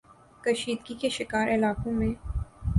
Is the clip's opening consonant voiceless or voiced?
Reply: voiceless